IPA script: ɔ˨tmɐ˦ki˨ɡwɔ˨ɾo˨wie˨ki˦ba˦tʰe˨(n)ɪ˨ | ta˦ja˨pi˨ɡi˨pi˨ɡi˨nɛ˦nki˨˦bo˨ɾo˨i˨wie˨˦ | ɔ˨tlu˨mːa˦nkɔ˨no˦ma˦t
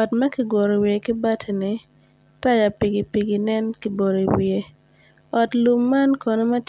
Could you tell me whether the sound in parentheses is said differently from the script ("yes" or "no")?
no